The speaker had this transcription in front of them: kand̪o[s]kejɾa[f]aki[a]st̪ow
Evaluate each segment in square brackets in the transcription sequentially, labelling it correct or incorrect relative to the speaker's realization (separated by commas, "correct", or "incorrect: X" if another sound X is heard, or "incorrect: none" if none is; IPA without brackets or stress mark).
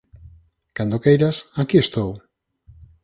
incorrect: none, incorrect: s, incorrect: e